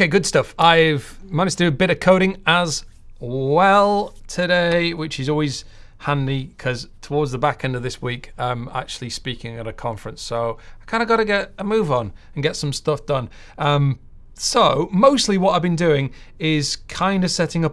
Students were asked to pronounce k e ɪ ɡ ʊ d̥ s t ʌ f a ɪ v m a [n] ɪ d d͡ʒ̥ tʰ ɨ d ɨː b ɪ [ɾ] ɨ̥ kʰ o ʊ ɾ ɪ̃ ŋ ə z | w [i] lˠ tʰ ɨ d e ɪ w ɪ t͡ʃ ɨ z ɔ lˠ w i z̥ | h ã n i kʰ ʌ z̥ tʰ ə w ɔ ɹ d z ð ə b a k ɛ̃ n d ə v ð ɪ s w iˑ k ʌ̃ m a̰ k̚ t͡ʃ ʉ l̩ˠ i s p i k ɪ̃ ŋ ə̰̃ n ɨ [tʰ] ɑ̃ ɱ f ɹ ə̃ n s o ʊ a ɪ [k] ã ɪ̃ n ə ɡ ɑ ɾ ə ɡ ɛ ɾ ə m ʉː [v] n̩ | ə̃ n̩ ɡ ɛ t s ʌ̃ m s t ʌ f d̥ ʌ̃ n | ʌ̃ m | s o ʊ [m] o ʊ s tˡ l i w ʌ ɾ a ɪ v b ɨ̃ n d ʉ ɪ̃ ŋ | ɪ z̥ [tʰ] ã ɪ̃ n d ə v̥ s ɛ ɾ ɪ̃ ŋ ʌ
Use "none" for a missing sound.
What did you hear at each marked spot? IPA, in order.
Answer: n, ɾ, ɛ, kʰ, kʰ, v, m, kʰ

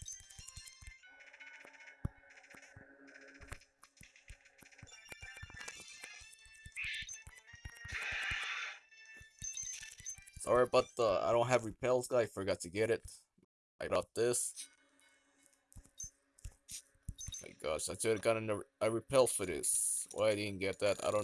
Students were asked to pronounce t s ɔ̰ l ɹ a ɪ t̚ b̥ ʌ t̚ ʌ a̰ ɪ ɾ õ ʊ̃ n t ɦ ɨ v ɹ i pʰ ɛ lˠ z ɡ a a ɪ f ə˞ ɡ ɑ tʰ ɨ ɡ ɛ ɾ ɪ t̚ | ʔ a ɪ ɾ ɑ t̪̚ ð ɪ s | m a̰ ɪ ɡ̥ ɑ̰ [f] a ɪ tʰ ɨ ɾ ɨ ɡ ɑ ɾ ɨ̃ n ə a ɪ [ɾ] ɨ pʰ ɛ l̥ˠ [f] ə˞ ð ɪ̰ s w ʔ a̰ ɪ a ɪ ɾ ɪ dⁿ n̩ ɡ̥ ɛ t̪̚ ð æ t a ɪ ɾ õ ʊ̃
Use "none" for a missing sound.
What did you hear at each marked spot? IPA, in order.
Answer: ʃ, ɹ, f

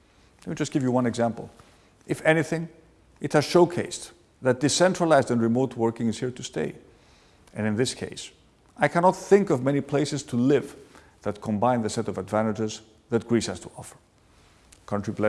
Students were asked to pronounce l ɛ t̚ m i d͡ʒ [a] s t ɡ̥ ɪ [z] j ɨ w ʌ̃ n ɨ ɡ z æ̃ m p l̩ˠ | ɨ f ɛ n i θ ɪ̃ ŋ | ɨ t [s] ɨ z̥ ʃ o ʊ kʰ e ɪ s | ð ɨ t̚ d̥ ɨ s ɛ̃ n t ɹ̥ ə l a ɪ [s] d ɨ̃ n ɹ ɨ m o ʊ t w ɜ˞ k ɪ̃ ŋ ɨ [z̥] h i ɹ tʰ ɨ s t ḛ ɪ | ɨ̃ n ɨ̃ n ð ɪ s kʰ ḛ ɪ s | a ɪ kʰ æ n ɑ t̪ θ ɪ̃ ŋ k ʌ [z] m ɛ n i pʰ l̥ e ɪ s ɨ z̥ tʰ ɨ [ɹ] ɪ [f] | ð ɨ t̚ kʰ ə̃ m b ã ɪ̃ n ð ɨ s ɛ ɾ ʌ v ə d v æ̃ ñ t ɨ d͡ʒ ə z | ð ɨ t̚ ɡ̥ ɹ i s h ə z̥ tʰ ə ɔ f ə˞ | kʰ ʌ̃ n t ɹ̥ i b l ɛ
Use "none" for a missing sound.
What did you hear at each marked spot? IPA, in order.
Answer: ʌ, v, h, z, z̥, v, l, v

